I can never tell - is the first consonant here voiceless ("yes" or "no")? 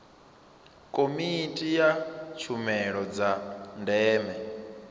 yes